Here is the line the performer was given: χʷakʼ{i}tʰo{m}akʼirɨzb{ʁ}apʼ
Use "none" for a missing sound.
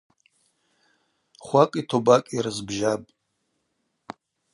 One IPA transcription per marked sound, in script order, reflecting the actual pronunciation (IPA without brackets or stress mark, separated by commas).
i, b, ʒ